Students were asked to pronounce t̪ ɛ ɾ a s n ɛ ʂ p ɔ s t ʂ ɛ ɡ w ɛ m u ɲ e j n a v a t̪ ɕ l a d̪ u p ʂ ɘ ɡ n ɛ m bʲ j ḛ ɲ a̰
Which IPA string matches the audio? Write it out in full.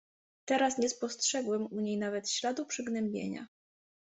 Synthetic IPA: t̪ ɛ ɾ a s ɲ ɛ s p ɔ s t ʂ ɛ ɡ w ɛ m u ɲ e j n a v ɛ t̪ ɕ l a d̪ u p ʂ ɘ ɡ n ɛ m bʲ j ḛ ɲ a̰